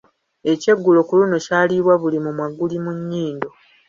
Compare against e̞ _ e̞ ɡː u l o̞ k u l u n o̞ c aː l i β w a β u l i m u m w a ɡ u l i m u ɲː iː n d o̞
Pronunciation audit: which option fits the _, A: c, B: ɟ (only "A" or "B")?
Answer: A